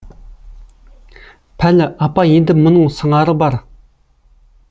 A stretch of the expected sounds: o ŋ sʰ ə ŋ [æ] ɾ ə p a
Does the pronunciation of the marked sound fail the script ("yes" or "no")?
yes